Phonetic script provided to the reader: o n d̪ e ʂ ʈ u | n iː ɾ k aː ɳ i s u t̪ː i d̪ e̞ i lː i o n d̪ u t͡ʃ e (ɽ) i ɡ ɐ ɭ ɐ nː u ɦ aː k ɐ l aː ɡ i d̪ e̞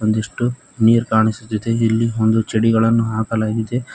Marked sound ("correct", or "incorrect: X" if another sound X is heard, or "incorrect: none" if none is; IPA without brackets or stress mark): correct